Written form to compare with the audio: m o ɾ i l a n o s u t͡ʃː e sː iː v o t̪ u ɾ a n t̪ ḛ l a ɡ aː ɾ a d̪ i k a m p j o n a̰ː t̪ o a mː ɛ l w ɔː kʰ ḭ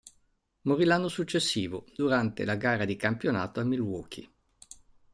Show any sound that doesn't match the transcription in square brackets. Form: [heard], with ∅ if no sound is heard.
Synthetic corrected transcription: m o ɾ i l a [nː] o s u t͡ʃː e sː iː v o [d̪] u ɾ a n t̪ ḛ l a ɡ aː ɾ a d̪ i k a m p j o n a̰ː t̪ o a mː [i] l w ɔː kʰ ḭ

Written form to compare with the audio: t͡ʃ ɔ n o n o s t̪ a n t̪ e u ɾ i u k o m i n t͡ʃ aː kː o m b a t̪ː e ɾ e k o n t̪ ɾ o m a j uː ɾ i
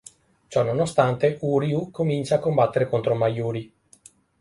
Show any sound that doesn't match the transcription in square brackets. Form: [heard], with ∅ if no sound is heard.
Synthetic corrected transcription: t͡ʃ ɔ n o n o s t̪ a n t̪ e u ɾ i u k o m i n t͡ʃ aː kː o m b a t̪ː e ɾ e k o n t̪ ɾ o m a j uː ɾ i

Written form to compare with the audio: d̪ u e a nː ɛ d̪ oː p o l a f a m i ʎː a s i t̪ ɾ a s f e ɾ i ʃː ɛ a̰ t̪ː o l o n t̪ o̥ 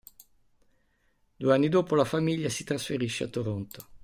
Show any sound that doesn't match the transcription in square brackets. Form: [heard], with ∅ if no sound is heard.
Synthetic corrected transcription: d̪ u e a nː [i] d̪ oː p o l a f a m i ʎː a s i t̪ ɾ a s f e ɾ i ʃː [e] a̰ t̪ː o [ɾ] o n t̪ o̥

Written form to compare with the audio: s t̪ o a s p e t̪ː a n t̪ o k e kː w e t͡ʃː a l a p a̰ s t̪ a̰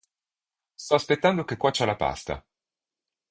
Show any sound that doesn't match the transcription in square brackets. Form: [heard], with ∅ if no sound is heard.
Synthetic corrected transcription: s t̪ [ɔ] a s p e t̪ː a n [d̪] o k e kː w [a] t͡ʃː a l a p a̰ s t̪ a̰

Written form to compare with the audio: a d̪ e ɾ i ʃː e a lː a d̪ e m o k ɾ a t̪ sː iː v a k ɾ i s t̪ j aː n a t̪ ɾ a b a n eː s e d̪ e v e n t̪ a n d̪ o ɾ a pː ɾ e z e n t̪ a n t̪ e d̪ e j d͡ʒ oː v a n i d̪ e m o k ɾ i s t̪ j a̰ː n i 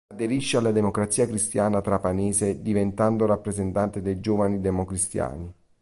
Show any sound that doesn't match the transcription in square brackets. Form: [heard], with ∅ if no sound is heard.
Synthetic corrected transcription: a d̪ e ɾ i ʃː e a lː a d̪ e m o k ɾ a t̪ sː iː [∅] a k ɾ i s t̪ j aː n a t̪ ɾ a [p] a n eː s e d̪ [i] v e n t̪ a n d̪ o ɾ a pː ɾ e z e n t̪ a n t̪ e d̪ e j d͡ʒ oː v a n i d̪ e m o k ɾ i s t̪ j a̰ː n i

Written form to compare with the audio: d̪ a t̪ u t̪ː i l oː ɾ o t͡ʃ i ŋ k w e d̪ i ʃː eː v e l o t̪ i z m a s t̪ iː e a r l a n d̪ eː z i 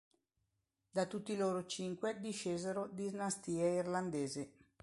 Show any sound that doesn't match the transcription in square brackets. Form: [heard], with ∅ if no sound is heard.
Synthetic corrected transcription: d̪ a t̪ u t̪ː i l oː ɾ o t͡ʃ i ŋ k w e d̪ i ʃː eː [z] e [ɾ] o [d̪] i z [n] a s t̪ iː e [i] r l a n d̪ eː z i

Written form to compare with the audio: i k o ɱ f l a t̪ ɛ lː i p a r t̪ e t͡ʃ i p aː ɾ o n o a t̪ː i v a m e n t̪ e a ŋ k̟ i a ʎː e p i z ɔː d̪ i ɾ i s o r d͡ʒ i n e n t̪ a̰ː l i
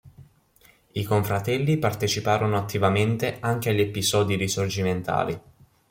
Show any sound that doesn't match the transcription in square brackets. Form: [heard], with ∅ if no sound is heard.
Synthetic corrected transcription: i k o ɱ f [ɾ] a t̪ ɛ lː i p a r t̪ e t͡ʃ i p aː ɾ o n o a t̪ː i v a m e n t̪ e a ŋ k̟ [e] a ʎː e p i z ɔː d̪ i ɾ i s o r d͡ʒ i [m] e n t̪ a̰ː l i

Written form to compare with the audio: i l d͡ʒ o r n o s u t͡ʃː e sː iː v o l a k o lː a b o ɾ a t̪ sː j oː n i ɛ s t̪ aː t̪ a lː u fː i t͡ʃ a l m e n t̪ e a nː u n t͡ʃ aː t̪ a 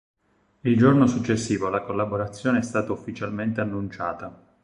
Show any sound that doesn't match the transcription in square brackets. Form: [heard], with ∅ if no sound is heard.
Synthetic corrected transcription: i l d͡ʒ o r n o s u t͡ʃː e sː iː v o l a k o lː a b o ɾ a t̪ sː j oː n [e] ɛ s t̪ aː t̪ a [∅] u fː i t͡ʃ a l m e n t̪ e a nː u n t͡ʃ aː t̪ a

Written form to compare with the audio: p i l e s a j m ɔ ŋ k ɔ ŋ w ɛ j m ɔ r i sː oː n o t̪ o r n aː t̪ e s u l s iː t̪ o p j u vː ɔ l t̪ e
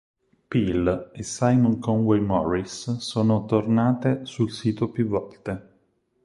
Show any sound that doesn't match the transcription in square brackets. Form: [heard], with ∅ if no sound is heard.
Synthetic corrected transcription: p i l e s a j m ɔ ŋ k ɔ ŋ w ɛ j m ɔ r i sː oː n o t̪ o r n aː t̪ e s u l s iː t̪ o p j u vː ɔ l t̪ e

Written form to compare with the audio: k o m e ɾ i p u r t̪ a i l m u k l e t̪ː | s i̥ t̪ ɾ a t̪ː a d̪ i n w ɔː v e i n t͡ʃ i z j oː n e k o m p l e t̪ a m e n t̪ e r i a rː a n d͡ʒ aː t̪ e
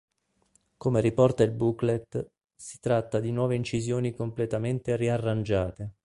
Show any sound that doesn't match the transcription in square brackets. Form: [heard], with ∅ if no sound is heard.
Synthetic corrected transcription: k o m e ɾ i p [ɔ] r t̪ a i l [b] u k l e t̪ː | s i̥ t̪ ɾ a t̪ː a d̪ i n w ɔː v e i n t͡ʃ i z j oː n [i] k o m p l e t̪ a m e n t̪ e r i a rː a n d͡ʒ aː t̪ e

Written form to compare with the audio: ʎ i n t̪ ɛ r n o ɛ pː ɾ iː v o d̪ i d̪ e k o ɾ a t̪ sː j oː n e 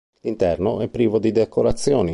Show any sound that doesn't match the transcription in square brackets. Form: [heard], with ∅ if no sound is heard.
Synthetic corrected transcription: [l] i n t̪ ɛ r n o ɛ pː ɾ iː v o d̪ i d̪ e k o ɾ a t̪ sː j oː n [i]

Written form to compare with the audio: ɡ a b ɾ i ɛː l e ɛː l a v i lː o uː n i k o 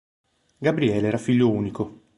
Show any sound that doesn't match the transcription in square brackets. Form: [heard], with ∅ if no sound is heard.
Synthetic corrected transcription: ɡ a b ɾ i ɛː l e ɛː [ɾ] a [f] i [ʎː] o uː n i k o

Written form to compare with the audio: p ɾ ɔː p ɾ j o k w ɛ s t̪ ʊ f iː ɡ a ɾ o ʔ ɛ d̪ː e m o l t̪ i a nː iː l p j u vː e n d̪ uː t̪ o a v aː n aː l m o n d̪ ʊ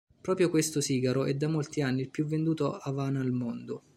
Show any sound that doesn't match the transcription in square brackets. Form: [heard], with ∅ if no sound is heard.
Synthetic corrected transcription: p ɾ ɔː p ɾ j o k w [e] s t̪ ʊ [s] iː ɡ a ɾ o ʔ ɛ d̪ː [a] m o l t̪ i a nː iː l p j u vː e n d̪ uː t̪ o a v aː n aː l m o n d̪ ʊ

